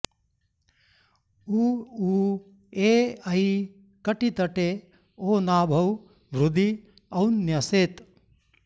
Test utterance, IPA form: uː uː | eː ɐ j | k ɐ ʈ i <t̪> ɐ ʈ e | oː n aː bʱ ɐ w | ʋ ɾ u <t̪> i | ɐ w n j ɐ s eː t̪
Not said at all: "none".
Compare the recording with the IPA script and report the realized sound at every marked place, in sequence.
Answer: t̪, d̪

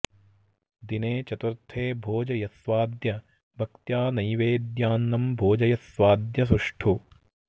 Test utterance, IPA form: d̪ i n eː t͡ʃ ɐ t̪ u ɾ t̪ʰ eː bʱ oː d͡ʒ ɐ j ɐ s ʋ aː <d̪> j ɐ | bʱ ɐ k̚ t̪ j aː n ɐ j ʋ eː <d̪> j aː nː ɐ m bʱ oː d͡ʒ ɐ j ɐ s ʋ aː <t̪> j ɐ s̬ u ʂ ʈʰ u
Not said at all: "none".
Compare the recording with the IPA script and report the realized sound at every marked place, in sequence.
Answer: d̪, d̪, d̪

